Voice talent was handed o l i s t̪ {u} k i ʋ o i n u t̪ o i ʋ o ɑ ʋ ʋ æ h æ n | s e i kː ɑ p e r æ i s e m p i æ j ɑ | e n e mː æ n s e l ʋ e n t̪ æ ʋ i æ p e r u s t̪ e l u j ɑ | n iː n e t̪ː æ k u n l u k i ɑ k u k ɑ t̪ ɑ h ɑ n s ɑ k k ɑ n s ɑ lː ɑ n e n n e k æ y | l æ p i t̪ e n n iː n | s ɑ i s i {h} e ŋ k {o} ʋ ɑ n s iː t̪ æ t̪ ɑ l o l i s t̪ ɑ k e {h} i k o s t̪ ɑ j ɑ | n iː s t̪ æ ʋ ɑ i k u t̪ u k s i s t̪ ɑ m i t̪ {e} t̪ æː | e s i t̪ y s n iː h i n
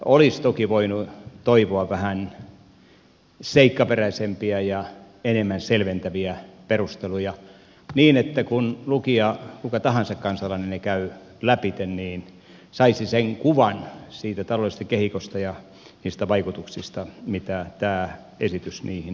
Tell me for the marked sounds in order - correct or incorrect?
incorrect: o, incorrect: s, incorrect: u, correct, incorrect: æ

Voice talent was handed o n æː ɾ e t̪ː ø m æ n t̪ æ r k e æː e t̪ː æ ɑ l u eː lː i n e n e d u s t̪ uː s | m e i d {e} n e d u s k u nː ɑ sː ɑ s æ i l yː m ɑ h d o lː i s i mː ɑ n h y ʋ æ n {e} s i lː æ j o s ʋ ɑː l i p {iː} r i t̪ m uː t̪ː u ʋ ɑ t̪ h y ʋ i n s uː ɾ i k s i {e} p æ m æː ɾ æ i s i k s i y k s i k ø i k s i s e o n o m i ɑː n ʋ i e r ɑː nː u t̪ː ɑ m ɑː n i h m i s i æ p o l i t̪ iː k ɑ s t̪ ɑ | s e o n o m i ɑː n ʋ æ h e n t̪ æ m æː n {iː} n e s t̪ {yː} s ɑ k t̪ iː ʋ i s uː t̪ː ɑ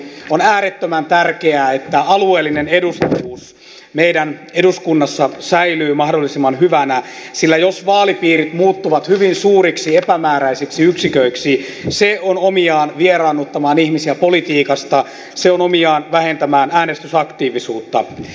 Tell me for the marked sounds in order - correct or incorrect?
incorrect: æ, incorrect: æ, correct, correct, incorrect: æː, incorrect: y

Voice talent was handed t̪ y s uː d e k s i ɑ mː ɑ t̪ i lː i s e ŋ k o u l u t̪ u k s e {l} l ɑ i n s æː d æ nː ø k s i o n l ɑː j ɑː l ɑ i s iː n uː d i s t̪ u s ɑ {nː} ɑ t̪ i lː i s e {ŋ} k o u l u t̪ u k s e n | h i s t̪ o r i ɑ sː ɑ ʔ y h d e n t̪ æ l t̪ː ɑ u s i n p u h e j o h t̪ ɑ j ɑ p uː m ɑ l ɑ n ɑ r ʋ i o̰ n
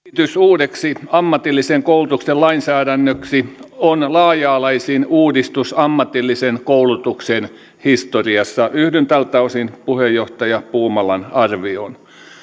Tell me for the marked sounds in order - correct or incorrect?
correct, incorrect: mː, incorrect: n

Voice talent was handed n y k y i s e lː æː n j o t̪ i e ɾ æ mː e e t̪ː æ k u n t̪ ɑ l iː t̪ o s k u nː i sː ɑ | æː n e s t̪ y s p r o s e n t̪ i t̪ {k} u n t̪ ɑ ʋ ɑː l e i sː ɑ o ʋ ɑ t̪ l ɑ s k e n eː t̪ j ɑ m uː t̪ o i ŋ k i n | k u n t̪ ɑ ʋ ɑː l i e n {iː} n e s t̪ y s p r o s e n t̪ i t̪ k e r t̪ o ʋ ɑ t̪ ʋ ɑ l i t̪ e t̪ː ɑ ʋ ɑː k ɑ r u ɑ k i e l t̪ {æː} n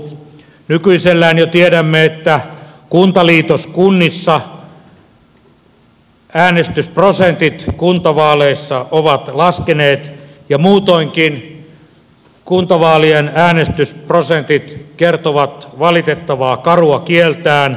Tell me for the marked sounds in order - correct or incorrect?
correct, incorrect: æː, correct

